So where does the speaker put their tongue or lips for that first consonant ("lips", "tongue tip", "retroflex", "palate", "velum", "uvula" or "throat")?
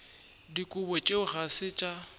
tongue tip